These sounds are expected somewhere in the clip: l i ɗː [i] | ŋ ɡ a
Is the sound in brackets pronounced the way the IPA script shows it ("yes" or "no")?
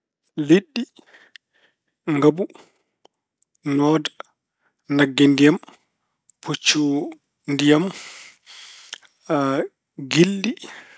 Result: yes